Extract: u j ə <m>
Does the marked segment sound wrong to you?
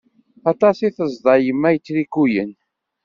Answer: yes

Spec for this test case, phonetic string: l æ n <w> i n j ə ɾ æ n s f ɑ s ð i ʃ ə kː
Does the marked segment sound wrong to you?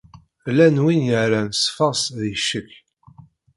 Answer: no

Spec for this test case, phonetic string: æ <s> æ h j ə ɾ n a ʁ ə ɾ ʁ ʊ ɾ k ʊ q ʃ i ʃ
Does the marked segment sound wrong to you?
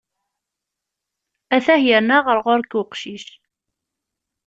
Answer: yes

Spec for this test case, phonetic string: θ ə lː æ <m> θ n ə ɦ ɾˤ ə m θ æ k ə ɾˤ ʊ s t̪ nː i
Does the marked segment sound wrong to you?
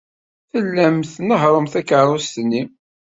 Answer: no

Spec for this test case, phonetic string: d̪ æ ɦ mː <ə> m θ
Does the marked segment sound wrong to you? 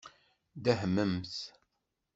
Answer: no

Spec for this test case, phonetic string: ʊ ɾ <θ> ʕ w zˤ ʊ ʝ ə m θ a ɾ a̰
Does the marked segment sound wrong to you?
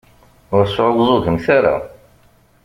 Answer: yes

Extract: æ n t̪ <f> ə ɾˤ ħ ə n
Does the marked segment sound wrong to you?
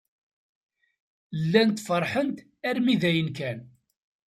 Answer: no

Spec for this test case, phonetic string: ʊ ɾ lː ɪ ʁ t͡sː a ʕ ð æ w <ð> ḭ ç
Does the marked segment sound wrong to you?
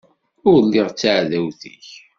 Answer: yes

